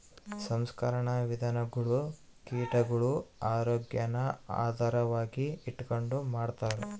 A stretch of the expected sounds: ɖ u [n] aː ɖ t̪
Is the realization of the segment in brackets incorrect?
yes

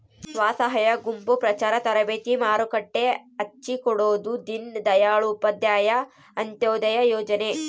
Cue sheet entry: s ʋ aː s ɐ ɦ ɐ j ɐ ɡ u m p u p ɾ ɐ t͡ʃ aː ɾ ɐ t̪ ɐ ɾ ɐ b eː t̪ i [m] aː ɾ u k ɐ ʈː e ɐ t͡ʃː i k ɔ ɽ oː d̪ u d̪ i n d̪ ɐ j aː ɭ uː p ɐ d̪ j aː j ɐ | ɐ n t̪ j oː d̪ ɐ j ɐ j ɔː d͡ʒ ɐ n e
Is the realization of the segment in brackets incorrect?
no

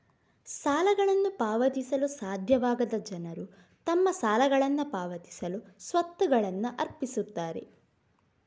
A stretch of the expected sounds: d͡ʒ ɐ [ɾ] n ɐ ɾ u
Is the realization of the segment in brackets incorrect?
yes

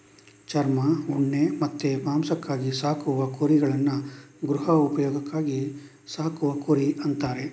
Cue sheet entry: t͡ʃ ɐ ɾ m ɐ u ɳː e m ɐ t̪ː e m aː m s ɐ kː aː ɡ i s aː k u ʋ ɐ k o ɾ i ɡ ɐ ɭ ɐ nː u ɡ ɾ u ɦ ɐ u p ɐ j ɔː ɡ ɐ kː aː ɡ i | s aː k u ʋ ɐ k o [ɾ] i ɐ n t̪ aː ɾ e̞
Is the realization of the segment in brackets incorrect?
no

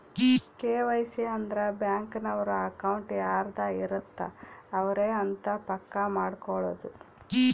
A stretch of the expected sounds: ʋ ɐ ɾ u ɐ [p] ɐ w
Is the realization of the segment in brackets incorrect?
yes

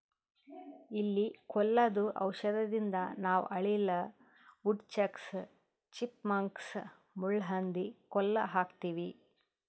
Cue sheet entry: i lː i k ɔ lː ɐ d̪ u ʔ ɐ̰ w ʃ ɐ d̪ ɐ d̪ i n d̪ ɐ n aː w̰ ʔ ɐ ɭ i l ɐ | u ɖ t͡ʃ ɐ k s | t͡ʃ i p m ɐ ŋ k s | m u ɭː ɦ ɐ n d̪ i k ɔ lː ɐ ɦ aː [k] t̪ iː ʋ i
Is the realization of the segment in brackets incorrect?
no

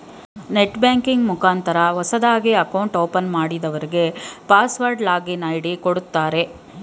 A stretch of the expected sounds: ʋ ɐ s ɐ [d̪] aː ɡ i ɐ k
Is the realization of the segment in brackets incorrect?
no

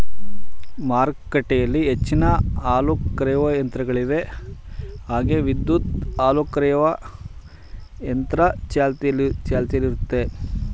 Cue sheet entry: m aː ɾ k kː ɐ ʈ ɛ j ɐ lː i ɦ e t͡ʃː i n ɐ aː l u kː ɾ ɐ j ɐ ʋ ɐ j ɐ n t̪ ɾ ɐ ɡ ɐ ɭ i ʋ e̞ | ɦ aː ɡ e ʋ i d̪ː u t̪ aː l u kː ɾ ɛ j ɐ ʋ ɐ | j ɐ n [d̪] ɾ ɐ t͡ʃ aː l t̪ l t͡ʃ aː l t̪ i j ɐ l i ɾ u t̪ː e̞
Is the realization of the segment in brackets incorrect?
yes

